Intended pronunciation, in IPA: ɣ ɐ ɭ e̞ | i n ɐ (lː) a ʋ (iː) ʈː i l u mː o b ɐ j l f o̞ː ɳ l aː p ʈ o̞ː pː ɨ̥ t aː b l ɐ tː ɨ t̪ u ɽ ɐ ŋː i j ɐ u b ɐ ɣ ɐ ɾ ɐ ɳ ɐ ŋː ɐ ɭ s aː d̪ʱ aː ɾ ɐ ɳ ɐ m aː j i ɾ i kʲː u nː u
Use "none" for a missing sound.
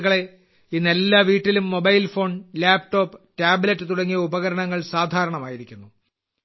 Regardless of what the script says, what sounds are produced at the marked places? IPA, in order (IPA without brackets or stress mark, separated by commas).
lː, iː